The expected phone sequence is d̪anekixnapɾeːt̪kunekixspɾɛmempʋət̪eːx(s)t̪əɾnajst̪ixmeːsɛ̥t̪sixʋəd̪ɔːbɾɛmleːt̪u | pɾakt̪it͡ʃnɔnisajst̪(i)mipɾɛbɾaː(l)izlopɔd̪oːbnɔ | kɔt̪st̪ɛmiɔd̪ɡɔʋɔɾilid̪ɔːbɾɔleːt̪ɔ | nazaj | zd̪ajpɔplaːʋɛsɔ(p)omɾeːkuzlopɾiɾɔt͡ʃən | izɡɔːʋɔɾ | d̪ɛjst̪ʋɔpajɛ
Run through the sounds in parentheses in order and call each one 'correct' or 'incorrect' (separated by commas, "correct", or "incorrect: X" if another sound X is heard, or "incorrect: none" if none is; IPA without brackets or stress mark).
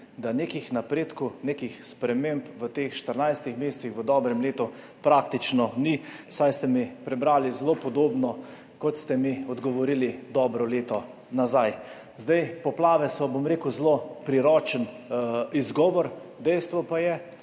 incorrect: ʃ, incorrect: ɛ, correct, incorrect: b